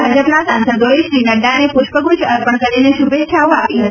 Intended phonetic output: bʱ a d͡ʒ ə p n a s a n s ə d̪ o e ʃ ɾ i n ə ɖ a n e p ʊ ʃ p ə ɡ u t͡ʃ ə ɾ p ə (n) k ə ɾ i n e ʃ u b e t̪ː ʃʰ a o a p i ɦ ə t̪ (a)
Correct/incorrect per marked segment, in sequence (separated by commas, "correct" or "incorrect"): incorrect, incorrect